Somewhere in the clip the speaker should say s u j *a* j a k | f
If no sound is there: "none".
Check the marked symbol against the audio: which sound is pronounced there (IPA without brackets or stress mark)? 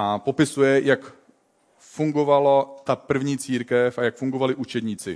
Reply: ɛ